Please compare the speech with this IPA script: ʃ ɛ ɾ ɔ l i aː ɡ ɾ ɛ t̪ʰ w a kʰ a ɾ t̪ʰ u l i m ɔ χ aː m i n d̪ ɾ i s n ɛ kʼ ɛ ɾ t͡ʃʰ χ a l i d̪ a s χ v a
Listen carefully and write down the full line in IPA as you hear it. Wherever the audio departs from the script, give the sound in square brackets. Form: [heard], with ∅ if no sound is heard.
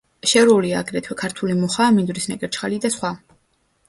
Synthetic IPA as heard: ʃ ɛ ɾ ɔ l i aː ɡ ɾ ɛ t̪ʰ w [ɛ] kʰ a ɾ t̪ʰ u l i m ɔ χ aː m i n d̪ ɾ i s n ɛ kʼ ɛ ɾ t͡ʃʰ χ a l i d̪ a s χ [w] a